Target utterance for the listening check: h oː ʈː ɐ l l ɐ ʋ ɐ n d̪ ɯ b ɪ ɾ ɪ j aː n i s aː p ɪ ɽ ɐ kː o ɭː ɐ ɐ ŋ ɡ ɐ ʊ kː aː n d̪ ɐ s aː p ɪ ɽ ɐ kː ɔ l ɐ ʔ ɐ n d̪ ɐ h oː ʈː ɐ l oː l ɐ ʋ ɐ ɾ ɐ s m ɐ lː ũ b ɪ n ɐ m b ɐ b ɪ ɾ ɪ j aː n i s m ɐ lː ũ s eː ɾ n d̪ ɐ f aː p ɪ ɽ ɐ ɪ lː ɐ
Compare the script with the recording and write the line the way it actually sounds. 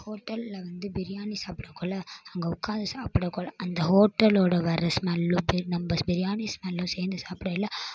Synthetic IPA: h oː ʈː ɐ l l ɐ ʋ ɐ n d̪ ɯ b ɪ ɾ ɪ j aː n i s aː p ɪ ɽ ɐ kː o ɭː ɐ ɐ ŋ ɡ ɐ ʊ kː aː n d̪ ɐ s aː p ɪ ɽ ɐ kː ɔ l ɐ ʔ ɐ n d̪ ɐ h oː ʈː ɐ l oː ɽ ɐ ʋ ɐ ɾ ɐ s m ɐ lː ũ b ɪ n ɐ m b ɐ b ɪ ɾ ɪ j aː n i s m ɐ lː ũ s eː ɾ n d̪ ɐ s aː p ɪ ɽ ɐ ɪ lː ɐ